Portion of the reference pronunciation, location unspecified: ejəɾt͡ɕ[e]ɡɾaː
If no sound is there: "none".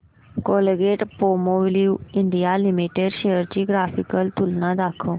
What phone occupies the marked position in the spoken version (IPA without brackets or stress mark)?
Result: i